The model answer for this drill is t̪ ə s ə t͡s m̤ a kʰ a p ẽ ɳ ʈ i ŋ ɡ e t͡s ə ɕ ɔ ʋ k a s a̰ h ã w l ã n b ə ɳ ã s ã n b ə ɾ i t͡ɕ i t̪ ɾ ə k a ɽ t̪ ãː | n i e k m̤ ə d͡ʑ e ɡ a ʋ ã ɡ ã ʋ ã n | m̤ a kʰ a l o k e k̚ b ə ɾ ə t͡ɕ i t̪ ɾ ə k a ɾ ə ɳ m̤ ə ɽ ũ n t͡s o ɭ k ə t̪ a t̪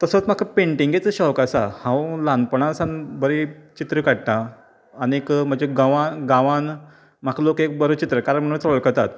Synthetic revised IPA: t̪ ə s ə t͡s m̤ a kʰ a p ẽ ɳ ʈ i ŋ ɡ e t͡s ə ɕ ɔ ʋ k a s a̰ h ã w l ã n p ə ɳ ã s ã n b ə ɾ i t͡ɕ i t̪ ɾ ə k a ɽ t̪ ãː | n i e k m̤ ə d͡ʑ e ɡ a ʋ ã ɡ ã ʋ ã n | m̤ a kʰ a l o k e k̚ b ə ɾ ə t͡ɕ i t̪ ɾ ə k a ɾ ə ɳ m̤ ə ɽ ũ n t͡s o ɭ k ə t̪ a t̪